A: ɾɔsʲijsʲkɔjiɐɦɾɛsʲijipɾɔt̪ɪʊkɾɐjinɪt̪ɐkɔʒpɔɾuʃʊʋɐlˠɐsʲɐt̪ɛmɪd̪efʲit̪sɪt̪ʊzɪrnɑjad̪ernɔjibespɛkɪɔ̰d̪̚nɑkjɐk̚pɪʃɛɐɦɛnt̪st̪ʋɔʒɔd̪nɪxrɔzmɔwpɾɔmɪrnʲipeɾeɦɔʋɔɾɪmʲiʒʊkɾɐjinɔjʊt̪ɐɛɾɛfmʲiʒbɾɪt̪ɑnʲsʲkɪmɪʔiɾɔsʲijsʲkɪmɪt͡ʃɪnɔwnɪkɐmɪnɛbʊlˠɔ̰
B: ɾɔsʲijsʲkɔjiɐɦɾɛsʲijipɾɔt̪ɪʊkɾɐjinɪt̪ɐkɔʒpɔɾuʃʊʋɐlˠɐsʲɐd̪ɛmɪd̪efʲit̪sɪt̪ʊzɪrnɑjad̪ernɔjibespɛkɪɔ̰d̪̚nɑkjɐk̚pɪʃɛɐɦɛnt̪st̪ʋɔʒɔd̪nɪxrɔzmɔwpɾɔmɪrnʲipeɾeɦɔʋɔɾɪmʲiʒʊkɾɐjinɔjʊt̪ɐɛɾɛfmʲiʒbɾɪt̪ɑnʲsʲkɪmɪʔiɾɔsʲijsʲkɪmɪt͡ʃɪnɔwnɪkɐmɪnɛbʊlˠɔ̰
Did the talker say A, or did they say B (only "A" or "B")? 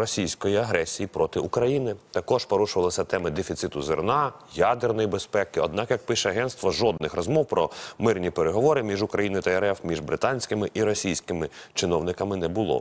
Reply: A